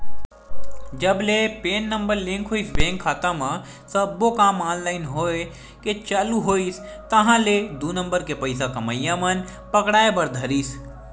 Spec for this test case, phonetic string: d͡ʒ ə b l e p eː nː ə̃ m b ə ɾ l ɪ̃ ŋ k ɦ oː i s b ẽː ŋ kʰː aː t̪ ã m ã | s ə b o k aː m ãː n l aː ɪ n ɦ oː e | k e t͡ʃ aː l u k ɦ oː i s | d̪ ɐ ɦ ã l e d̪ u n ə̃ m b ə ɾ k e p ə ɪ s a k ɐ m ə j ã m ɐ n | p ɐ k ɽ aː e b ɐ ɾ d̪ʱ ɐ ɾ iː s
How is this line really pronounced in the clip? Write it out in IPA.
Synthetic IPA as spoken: d͡ʒ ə b l e p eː nː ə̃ m b ə ɾ l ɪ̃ ŋ k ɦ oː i s b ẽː ŋ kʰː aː t̪ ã m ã | s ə b o k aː m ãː n l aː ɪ n ɦ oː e | k e t͡ʃ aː l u ɦ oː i s | t̪ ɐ ɦ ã l e d̪ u n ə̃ m b ə ɾ k e p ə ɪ s a k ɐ m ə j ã m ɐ n | p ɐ k ɽ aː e b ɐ ɾ d̪ʱ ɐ ɾ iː s